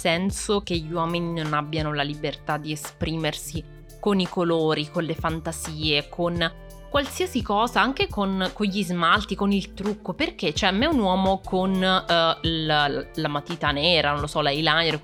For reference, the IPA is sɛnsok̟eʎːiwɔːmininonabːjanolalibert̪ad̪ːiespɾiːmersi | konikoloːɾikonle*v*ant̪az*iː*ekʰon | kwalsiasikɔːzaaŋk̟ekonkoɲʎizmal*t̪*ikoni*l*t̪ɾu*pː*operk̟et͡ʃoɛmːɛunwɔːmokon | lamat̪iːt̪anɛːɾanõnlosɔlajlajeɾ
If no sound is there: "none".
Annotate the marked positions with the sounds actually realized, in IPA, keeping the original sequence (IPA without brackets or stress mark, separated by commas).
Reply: f, iː, t̪, l, kː